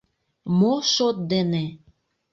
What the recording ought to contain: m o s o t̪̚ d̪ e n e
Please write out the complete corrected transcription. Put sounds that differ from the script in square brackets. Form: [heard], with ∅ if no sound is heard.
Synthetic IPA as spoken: m o [ʃ] o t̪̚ d̪ e n e